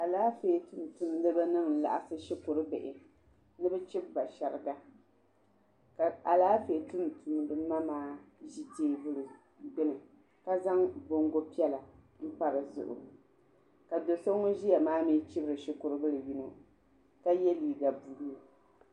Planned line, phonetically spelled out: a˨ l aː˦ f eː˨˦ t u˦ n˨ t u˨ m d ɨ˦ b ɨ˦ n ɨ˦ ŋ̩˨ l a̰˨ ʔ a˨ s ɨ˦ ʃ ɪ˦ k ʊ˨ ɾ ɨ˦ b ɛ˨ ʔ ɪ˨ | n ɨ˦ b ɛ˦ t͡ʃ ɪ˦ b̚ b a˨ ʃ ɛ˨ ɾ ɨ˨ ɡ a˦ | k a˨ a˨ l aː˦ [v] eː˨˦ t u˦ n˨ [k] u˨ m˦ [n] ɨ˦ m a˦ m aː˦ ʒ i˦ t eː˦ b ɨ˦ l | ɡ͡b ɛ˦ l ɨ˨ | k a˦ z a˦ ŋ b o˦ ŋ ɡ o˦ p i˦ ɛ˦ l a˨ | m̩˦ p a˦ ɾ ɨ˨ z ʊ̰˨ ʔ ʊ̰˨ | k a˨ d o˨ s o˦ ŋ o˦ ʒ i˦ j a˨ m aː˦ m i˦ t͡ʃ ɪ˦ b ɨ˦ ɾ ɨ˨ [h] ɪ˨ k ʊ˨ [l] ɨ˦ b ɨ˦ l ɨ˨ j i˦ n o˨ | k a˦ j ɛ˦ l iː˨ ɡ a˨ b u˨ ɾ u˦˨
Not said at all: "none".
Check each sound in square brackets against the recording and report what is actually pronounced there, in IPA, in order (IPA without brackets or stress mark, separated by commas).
f, t, d, ʃ, ɾ